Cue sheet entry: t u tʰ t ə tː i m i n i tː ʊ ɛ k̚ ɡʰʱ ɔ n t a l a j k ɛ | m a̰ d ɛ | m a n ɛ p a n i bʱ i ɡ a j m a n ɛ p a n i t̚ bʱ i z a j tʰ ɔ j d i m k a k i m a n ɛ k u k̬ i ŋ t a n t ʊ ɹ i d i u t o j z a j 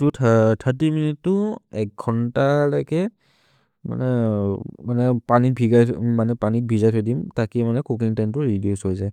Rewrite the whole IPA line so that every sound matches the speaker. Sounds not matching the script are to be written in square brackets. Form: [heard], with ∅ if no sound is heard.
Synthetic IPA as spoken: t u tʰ [tʰ] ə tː i m i n i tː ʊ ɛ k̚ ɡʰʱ ɔ n t a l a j k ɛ | m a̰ [n] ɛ | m a n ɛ p a n i bʱ i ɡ a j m a n ɛ p a n i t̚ bʱ i z a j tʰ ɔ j d i m [t] a k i m a n ɛ k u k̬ i ŋ t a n t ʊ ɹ i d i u [s] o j z a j